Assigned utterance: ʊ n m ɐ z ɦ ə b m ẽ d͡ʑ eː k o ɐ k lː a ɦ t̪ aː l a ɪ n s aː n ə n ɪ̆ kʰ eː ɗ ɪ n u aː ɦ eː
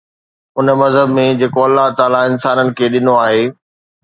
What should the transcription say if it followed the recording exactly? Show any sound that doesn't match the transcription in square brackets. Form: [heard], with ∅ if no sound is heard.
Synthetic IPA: ʊ n m ɐ z ɦ ə b m ẽ d͡ʑ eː k o ɐ [∅] lː a ɦ t̪ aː l a ɪ n s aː n ə n ɪ̆ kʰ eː ɗ ɪ n [o] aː ɦ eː